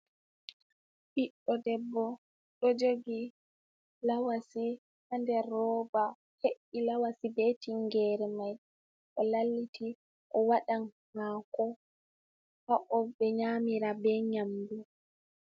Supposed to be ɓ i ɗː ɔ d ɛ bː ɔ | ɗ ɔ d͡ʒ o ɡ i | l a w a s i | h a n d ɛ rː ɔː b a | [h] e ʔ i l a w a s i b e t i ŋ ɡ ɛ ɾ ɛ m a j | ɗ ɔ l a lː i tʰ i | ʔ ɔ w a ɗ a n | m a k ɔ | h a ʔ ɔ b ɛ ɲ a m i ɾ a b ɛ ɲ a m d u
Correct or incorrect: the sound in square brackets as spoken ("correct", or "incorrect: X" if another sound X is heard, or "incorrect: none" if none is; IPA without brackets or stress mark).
correct